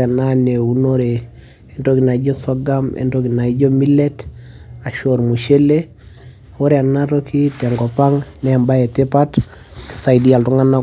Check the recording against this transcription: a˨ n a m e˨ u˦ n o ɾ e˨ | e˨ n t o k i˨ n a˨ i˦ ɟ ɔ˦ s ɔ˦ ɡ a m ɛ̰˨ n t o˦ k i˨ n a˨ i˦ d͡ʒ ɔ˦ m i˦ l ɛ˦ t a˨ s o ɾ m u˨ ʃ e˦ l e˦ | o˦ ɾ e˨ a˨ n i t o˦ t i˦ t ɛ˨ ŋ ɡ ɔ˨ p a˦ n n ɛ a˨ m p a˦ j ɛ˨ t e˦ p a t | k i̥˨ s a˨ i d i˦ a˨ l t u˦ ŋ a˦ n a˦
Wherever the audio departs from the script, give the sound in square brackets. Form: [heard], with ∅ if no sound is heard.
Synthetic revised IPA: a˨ n a [n] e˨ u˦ n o ɾ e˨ | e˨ n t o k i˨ n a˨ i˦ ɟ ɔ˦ s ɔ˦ ɡ a m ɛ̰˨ n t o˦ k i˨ n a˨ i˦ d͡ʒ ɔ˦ m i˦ l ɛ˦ t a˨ [ʃ] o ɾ m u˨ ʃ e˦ l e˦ | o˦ ɾ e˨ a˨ n [a] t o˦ [k] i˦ t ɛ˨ ŋ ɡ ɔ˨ p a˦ [ŋ] n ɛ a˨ m [b] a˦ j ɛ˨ t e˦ p a t | k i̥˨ s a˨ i d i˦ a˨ l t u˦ ŋ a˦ n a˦